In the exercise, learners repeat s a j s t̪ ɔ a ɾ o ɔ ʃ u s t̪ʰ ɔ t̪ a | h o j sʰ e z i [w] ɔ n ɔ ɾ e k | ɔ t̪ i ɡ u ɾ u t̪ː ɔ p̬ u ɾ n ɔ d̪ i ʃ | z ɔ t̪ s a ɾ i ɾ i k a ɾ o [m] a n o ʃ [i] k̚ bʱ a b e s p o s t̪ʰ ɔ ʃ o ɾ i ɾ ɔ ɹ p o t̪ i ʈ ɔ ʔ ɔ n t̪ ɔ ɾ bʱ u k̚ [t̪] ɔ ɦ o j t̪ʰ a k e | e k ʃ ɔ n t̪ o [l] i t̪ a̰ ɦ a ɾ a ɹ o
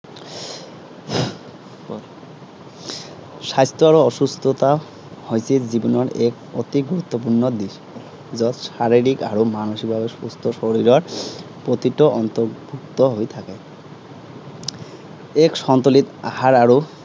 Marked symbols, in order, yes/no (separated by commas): no, yes, yes, yes, yes